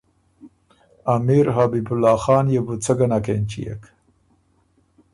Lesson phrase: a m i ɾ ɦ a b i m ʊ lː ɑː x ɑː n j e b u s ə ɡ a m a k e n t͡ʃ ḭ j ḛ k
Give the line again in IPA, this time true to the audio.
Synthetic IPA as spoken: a m i ɾ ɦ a b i b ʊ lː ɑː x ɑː n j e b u t͡s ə ɡ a n a k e n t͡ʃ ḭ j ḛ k